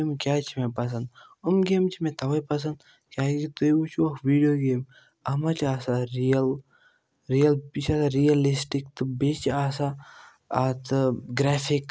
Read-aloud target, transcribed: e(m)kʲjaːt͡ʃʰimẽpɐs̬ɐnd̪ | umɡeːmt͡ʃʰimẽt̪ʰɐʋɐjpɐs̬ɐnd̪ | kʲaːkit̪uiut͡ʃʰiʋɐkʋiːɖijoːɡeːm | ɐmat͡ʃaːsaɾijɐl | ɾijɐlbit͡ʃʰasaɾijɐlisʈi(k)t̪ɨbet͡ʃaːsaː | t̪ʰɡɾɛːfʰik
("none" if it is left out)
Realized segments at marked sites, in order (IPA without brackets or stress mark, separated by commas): m, k